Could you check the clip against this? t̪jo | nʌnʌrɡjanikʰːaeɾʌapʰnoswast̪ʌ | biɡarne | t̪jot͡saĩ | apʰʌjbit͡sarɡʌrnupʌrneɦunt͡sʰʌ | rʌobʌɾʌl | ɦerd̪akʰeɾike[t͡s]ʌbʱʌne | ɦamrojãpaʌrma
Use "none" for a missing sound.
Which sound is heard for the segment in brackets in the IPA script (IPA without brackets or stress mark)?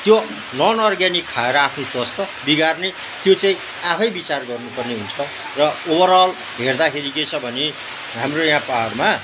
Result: t͡sʰ